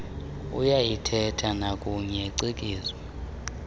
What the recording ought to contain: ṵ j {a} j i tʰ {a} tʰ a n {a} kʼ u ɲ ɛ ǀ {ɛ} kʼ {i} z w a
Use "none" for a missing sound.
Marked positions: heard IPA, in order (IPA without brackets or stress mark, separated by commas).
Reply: a, ɛ, a, i, iː